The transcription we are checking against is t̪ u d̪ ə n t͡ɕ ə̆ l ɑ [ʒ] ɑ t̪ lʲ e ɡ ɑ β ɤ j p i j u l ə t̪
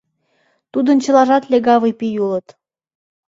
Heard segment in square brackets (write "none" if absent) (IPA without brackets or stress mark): ʒ